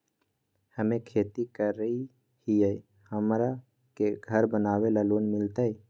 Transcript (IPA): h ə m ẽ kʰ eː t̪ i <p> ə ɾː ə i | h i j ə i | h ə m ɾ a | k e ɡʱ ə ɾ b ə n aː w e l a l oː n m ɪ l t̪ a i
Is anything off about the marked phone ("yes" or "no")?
yes